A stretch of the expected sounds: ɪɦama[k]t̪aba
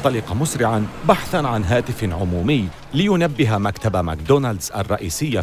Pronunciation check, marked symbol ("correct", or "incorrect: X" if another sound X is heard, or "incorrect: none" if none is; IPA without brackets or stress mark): correct